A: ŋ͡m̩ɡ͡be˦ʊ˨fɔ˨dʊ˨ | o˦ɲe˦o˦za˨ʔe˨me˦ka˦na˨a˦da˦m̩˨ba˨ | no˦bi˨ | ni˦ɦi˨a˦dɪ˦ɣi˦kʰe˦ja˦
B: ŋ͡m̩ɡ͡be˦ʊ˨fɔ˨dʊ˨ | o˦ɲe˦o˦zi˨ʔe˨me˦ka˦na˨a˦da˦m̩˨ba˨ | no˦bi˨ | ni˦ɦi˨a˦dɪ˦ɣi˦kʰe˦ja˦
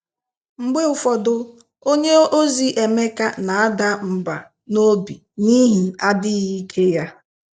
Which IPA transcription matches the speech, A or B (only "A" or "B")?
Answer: B